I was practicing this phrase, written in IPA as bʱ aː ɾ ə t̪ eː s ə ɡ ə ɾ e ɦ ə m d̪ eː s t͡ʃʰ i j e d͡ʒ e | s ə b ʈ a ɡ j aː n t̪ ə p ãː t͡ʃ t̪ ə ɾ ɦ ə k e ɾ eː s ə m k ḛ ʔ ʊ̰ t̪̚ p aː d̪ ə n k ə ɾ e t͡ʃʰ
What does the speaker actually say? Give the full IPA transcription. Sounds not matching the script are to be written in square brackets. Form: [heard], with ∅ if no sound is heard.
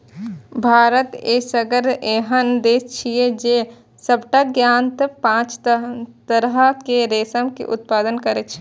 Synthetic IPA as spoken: bʱ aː ɾ ə t̪ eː s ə ɡ ə ɾ e ɦ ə [n] d̪ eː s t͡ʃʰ i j e d͡ʒ e | s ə b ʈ a ɡ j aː n t̪ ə p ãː t͡ʃ t̪ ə ɾ ɦ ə k e ɾ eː s ə m k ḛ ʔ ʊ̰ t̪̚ p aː d̪ ə n k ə ɾ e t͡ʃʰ